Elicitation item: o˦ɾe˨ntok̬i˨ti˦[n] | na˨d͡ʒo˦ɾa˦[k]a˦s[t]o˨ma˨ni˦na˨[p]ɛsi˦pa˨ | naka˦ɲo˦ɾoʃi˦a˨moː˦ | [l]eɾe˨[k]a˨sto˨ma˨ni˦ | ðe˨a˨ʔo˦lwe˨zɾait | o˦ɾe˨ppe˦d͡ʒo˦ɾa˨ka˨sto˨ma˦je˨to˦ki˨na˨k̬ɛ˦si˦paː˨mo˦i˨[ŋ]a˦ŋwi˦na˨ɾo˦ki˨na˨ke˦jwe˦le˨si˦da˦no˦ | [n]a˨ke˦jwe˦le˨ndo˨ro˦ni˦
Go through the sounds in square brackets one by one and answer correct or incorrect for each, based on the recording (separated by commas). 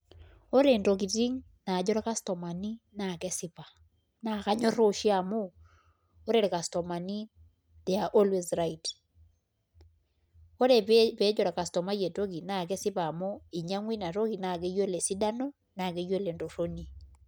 incorrect, correct, correct, incorrect, incorrect, correct, incorrect, correct